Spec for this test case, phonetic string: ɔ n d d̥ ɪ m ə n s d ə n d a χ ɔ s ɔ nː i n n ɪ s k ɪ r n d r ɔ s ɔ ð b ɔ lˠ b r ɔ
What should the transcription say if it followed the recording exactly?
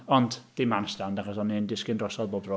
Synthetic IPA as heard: ɔ n d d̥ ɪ m a n s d a n d a χ ɔ s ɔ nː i n d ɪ s k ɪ n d r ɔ s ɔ ð b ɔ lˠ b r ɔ